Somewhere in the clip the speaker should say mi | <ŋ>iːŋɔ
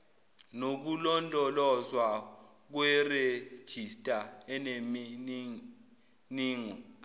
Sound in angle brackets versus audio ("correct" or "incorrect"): incorrect